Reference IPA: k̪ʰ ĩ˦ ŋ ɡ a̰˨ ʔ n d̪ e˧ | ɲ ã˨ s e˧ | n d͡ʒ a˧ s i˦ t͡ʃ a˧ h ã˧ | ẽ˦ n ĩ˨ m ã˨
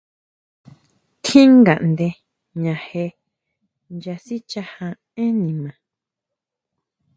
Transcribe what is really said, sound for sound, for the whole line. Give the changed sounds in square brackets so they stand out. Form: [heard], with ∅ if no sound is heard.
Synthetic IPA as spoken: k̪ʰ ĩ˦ ŋ ɡ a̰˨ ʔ n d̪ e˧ | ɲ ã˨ [h] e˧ | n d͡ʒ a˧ s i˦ t͡ʃ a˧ h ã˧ | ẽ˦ n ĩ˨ m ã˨

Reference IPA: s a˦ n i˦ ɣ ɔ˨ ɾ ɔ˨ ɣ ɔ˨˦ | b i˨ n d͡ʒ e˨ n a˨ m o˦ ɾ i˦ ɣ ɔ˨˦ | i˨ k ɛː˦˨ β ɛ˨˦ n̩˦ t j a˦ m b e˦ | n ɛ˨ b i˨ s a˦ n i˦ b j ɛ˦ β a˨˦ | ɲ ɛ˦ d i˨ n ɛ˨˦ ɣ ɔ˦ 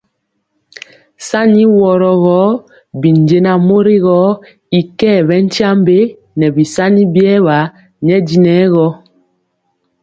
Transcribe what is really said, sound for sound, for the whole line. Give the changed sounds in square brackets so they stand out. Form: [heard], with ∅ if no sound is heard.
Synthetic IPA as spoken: s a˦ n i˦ [w] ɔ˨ ɾ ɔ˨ ɣ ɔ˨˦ | b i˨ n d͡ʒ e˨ n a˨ m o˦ ɾ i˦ ɣ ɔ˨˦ | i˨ k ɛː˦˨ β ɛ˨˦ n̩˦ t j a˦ m b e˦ | n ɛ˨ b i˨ s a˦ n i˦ b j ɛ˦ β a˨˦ | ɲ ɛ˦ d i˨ n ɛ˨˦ ɣ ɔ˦

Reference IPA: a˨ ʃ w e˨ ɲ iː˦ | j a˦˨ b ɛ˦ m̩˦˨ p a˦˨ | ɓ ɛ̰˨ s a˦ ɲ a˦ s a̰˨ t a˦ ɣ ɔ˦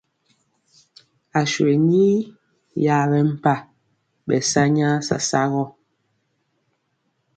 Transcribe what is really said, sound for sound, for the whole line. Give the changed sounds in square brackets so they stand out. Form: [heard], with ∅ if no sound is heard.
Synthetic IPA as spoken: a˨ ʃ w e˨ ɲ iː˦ | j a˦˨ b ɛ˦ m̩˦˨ p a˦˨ | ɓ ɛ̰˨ s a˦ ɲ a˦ s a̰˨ [s] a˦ ɣ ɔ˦

